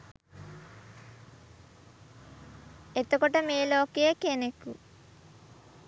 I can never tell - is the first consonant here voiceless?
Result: yes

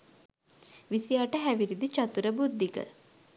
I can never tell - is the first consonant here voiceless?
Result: no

